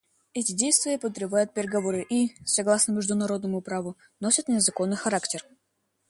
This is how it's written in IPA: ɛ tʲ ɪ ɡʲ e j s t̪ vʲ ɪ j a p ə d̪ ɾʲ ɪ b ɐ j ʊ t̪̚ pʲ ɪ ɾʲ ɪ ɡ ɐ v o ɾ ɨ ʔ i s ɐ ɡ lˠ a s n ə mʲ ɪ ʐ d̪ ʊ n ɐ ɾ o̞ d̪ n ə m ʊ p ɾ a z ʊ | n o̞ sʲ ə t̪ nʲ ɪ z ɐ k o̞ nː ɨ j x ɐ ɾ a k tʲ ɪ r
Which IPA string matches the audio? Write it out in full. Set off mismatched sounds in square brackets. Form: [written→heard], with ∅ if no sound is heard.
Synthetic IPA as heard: ɛ tʲ ɪ [ɡʲ→dʲ] e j s t̪ vʲ ɪ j [a→ə] p ə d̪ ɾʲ ɪ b [ɐ→a] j ʊ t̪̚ pʲ ɪ ɾʲ ɪ ɡ ɐ v o ɾ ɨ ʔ i s ɐ ɡ lˠ a s n ə mʲ ɪ ʐ d̪ ʊ n ɐ ɾ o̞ d̪ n ə m ʊ p ɾ a [z→v] ʊ | n o̞ sʲ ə t̪ nʲ ɪ z ɐ k o̞ nː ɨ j x ɐ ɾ a k tʲ ɪ r